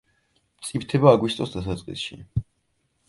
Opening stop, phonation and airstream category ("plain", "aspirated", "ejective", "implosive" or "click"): plain